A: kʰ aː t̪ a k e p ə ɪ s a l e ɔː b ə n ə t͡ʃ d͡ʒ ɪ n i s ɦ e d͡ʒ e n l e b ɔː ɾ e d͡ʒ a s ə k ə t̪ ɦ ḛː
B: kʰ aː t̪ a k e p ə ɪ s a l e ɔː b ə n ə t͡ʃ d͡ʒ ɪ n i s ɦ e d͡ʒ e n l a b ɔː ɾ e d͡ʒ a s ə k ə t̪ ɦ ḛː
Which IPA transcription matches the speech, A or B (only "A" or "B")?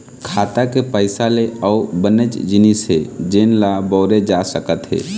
B